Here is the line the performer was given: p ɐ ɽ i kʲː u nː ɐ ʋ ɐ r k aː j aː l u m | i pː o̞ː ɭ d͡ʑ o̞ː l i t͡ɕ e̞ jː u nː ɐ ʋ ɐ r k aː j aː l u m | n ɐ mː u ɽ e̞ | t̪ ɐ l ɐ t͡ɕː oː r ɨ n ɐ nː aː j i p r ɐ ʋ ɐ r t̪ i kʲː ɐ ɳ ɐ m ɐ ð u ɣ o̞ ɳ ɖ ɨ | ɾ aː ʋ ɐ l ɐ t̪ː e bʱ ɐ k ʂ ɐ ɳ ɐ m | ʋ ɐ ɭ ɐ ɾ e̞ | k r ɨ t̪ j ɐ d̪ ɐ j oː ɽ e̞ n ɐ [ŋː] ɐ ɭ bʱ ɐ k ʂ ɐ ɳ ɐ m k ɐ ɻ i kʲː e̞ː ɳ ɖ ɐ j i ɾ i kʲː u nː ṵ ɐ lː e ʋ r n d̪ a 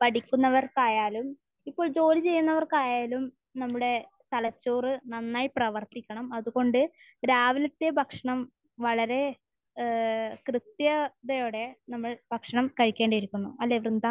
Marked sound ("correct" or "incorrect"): incorrect